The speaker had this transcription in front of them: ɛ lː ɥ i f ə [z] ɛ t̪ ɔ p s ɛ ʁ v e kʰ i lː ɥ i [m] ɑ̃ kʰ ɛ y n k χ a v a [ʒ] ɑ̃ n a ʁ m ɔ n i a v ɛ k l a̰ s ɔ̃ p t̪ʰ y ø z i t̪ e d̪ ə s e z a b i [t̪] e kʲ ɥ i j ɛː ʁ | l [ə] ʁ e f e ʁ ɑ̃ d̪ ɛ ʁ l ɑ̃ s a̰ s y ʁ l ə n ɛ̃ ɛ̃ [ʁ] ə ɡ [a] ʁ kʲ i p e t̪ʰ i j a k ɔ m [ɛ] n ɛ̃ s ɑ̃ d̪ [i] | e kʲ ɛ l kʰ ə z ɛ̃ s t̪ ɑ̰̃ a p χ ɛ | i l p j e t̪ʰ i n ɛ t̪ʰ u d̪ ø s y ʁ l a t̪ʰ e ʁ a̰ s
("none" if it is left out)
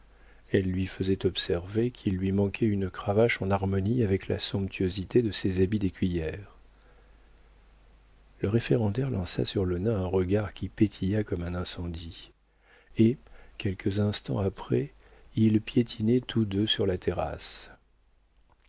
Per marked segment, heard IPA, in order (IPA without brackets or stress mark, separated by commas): z, m, ʃ, d̪, ə, ʁ, a, ɛ̃, i